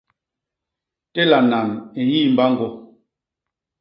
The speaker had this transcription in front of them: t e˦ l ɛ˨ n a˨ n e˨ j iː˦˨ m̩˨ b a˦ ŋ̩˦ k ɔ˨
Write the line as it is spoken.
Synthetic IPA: t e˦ l a˨ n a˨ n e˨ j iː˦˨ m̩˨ b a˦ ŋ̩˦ ɡ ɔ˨